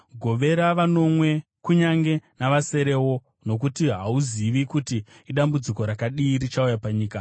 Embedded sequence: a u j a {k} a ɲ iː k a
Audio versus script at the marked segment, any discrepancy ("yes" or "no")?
yes